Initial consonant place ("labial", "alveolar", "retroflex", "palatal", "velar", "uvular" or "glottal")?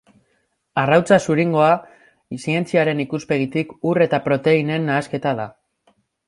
alveolar